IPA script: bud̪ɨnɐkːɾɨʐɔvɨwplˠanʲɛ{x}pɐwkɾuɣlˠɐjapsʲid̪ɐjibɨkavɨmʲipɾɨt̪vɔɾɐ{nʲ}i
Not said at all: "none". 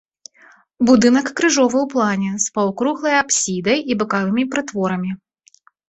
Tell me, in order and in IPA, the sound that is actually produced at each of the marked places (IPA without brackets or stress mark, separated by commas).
s, mʲ